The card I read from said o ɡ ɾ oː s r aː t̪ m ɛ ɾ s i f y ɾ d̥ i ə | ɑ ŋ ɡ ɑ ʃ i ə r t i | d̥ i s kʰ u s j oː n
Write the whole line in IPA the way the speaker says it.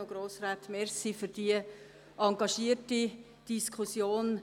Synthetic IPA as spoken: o ɡ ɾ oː s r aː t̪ m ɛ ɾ s i f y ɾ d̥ i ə | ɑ ŋ ɡ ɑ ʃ i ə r t i | d̥ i s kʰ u s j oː n